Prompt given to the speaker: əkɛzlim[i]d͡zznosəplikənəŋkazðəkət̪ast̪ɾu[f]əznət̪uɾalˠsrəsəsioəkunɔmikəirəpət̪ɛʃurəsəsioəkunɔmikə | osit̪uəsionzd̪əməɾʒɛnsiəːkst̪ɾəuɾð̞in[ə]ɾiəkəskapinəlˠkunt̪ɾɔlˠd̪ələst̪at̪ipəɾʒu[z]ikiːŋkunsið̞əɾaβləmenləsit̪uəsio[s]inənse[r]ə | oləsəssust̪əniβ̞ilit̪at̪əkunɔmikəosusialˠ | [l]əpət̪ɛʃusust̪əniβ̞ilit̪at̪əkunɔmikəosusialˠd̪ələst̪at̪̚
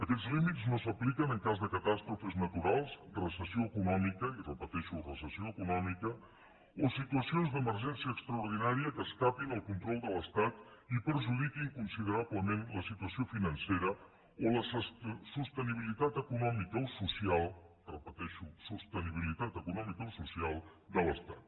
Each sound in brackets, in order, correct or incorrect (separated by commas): correct, correct, incorrect, incorrect, incorrect, incorrect, incorrect